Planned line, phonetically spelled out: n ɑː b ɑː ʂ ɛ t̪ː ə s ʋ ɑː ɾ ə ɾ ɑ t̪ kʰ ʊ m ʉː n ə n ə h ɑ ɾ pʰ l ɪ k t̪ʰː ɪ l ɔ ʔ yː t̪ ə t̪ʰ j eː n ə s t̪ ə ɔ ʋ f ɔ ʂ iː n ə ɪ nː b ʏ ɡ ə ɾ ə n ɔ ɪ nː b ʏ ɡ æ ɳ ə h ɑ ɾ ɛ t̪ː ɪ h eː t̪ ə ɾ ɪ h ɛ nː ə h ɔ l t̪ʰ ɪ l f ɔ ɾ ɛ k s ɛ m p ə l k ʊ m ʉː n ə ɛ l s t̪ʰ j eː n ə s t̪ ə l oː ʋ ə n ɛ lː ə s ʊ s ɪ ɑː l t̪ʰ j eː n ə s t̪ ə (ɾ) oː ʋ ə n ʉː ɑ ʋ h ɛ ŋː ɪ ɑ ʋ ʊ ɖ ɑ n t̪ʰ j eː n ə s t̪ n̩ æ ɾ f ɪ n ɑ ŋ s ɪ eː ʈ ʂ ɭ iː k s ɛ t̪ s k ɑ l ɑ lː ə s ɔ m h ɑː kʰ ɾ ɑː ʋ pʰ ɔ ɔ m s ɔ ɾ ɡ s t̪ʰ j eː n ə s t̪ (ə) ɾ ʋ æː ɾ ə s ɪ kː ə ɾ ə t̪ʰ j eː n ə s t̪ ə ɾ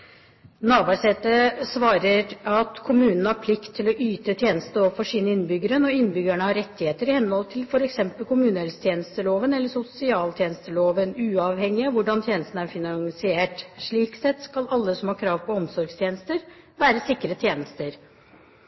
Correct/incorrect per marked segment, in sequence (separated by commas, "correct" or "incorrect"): incorrect, correct